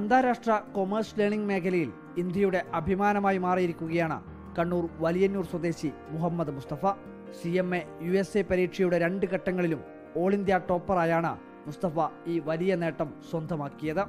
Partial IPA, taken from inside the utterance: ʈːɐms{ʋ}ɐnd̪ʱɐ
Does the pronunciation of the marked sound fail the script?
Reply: yes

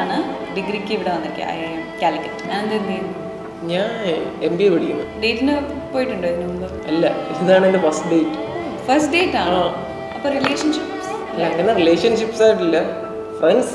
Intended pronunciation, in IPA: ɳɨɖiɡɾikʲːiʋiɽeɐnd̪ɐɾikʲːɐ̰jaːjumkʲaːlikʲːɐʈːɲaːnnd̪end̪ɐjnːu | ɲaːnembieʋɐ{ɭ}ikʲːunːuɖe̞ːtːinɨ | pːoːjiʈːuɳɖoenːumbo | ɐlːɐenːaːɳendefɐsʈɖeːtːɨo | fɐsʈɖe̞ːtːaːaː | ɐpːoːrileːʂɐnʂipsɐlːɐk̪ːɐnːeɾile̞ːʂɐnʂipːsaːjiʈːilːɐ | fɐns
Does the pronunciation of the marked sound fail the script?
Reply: yes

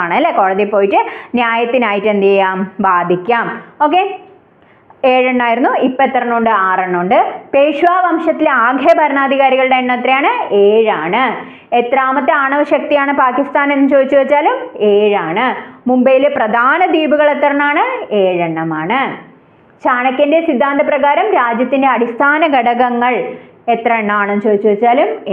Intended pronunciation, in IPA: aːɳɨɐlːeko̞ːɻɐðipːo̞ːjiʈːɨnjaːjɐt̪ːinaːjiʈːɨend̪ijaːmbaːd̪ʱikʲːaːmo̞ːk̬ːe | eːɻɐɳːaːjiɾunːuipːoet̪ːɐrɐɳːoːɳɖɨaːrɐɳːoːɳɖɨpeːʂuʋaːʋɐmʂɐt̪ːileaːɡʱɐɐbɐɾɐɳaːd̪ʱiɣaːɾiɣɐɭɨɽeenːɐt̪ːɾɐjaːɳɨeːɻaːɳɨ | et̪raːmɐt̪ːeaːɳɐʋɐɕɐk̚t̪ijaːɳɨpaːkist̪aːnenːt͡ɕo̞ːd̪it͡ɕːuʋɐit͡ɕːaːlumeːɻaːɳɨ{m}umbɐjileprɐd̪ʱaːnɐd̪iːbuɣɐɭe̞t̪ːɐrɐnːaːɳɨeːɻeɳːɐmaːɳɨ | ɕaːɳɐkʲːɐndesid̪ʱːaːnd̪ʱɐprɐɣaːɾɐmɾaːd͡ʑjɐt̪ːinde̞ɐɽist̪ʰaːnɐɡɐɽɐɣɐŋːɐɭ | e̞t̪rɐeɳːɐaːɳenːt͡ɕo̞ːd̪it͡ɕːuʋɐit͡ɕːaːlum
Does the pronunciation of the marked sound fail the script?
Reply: no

